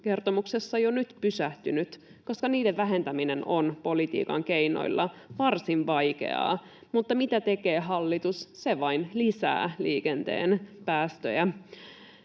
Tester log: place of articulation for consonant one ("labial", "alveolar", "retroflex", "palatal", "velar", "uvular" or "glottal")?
velar